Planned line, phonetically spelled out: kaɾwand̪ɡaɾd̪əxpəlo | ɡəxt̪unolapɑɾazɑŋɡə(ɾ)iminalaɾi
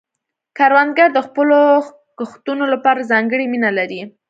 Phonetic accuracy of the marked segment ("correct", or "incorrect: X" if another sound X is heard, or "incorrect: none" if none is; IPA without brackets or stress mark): incorrect: ɽ